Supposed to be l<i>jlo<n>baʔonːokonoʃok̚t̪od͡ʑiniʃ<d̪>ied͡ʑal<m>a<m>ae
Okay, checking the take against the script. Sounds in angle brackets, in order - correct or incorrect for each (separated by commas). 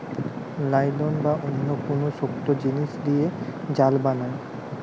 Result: incorrect, correct, correct, incorrect, incorrect